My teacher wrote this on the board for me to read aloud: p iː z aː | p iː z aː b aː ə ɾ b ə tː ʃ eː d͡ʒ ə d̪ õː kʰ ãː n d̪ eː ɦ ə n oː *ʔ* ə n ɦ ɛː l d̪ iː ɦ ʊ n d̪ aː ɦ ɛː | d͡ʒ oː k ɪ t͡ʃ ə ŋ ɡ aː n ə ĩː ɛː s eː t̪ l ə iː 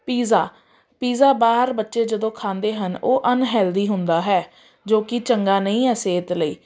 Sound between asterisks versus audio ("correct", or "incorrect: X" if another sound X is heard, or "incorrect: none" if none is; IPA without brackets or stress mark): correct